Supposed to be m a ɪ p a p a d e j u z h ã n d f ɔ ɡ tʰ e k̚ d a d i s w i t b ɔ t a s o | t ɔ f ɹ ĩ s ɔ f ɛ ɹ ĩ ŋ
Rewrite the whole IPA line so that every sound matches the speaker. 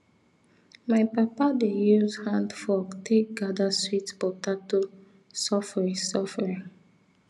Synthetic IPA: m a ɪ p a p a d e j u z h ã n d f ɔ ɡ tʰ e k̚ ɡ a d a s w i t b ɔ t a t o | s ɔ f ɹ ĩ s ɔ f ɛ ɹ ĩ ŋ